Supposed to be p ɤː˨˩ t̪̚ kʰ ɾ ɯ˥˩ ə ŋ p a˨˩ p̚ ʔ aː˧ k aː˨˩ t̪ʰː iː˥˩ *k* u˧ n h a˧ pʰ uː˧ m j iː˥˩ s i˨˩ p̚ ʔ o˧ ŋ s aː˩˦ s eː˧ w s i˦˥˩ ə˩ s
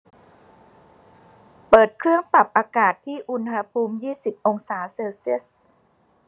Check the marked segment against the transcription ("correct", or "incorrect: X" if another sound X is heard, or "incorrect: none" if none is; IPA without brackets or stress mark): incorrect: ʔ